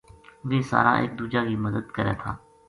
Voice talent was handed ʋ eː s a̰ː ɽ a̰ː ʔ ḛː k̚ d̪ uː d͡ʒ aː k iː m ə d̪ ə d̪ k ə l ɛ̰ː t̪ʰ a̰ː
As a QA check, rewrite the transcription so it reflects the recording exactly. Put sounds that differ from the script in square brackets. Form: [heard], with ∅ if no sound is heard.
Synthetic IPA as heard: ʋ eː s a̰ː [ɾ] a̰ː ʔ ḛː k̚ d̪ uː d͡ʒ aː k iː m ə d̪ ə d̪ k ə [ɾ] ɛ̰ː t̪ʰ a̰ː